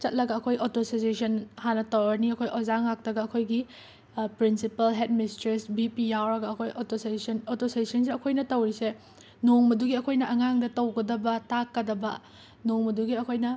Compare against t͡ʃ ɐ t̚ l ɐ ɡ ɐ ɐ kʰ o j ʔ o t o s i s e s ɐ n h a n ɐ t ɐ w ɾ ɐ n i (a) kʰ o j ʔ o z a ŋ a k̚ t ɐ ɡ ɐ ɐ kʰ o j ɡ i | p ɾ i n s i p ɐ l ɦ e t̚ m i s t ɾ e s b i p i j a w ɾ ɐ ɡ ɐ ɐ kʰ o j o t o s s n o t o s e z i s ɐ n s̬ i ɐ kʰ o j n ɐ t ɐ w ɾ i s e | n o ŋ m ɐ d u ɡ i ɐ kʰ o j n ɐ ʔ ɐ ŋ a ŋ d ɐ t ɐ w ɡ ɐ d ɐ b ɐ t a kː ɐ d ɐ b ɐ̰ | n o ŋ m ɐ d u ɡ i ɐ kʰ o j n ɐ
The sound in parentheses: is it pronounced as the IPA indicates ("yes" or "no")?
no